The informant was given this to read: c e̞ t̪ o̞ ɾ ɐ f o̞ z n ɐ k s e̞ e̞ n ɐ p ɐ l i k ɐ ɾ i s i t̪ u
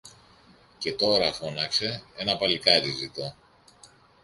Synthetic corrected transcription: c e̞ t̪ o̞ ɾ ɐ f o̞ n ɐ k s e̞ e̞ n ɐ p ɐ l i k ɐ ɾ i z i t̪ o

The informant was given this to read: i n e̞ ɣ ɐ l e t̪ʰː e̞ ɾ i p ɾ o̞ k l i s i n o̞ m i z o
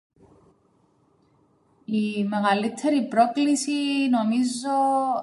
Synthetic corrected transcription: i m e̞ ɣ ɐ l i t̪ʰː e̞ ɾ i p ɾ o̞ k l i s i n o̞ m i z o

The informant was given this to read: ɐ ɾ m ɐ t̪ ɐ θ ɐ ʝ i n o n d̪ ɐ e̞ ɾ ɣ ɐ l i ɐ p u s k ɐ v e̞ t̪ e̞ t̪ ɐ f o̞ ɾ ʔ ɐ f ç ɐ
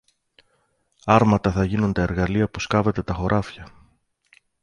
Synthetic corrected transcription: ɐ ɾ m ɐ t̪ ɐ θ ɐ ʝ i n u n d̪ ɐ e̞ ɾ ɣ ɐ l i ɐ p u s k ɐ v e̞ t̪ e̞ t̪ ɐ x o̞ ɾ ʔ ɐ f ç ɐ

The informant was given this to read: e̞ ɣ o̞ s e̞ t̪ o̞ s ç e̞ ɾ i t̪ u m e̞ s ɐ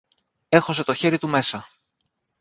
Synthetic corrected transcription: e̞ x o̞ s e̞ t̪ o̞ ç e̞ ɾ i t̪ u m e̞ s ɐ

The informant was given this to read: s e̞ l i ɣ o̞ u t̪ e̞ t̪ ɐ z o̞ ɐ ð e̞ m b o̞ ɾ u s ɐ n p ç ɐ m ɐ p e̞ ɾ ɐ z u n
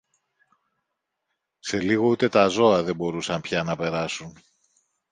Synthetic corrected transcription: s e̞ l i ɣ o̞ u t̪ e̞ t̪ ɐ z o̞ ɐ ð e̞ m b o̞ ɾ u s ɐ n p ç ɐ n ɐ p e̞ ɾ ɐ s u n

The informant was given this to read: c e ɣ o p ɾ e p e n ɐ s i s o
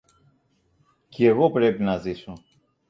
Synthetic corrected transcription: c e ɣ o p ɾ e p i n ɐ z i s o

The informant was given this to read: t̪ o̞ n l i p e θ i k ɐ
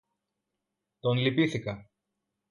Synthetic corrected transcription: t̪ o̞ n l i p i θ i k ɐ

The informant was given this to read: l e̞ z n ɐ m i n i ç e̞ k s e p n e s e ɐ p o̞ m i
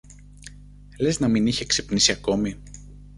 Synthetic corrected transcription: l e̞ z n ɐ m i n i ç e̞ k s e p n i s i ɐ k o̞ m i

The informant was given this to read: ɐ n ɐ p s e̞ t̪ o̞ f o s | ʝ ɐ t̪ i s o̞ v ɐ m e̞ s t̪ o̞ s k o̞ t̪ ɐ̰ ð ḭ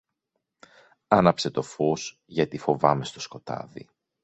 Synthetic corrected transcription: ɐ n ɐ p s e̞ t̪ o̞ f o s | ʝ ɐ t̪ i f o̞ v ɐ m e̞ s t̪ o̞ s k o̞ t̪ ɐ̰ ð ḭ

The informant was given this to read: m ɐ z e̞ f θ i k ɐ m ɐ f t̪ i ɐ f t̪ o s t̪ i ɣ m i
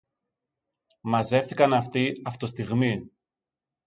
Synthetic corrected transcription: m ɐ z e̞ f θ i k ɐ n ɐ f t̪ i ɐ f t̪ o s t̪ i ɣ m i

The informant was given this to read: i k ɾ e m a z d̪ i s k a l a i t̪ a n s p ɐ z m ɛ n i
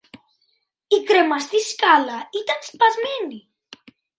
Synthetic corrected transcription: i k ɾ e m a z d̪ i s k a l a i t̪ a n s p a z m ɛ n i

